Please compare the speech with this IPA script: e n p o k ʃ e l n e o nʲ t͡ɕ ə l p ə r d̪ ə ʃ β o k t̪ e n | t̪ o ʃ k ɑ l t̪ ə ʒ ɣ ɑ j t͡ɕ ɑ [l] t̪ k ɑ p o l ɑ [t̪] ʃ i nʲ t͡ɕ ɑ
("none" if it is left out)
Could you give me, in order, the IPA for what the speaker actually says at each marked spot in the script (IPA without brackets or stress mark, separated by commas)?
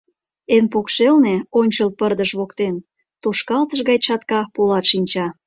none, t̪